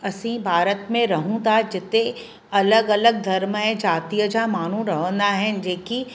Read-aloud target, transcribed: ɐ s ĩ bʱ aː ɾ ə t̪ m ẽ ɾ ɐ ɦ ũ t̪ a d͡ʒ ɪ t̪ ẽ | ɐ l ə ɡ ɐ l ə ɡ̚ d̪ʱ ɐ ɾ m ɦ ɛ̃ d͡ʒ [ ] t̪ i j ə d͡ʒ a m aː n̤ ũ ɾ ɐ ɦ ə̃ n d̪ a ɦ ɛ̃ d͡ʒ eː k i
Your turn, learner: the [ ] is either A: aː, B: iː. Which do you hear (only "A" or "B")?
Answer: A